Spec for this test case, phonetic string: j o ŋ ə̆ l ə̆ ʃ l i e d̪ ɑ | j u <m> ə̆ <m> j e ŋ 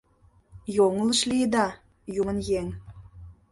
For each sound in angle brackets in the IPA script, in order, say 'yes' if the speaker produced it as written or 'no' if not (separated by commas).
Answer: yes, no